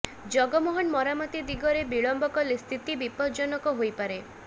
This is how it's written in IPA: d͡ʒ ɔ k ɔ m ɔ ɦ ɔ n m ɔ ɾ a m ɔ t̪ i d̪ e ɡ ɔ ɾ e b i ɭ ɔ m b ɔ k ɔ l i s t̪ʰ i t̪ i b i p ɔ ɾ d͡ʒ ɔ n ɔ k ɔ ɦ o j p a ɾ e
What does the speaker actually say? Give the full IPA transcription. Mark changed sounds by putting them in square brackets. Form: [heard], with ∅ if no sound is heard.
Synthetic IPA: d͡ʒ ɔ [ɡ] ɔ m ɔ ɦ ɔ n m ɔ ɾ a m ɔ t̪ i d̪ [i] ɡ ɔ ɾ e b i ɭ ɔ m b ɔ k ɔ l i s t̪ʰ i t̪ i b i p ɔ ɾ d͡ʒ ɔ n ɔ k ɔ ɦ o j p a ɾ e